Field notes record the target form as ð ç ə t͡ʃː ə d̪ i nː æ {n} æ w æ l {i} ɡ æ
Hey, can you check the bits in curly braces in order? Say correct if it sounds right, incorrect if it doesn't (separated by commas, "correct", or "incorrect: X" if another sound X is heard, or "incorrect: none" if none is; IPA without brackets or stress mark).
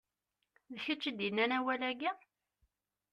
correct, incorrect: æ